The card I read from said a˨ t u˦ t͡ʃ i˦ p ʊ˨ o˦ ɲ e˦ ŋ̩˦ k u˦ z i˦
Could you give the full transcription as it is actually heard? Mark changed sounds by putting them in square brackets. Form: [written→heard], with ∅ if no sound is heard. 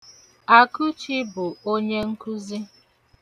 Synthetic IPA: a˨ [t→k] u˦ t͡ʃ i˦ [p→b] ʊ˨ o˦ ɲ e˦ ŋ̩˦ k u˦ z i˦